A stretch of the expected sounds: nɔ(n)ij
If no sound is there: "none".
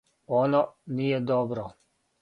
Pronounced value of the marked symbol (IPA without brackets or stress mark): n